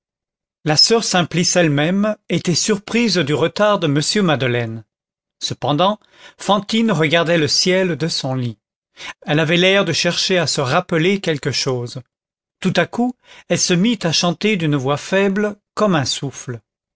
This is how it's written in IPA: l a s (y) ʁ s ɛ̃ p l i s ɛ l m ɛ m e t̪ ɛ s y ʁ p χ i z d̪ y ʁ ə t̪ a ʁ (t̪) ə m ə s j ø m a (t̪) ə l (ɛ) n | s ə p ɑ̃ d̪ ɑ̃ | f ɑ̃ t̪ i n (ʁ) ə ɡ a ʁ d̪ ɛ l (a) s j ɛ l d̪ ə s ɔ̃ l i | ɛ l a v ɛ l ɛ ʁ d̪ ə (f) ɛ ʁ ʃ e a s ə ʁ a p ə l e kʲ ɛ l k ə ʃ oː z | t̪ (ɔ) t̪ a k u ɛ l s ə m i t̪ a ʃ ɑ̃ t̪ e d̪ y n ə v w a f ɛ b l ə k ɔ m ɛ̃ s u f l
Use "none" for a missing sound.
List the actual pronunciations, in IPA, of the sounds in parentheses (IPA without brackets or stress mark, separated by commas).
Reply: œ, d̪, d̪, ɛ, ʁ, ə, ʃ, u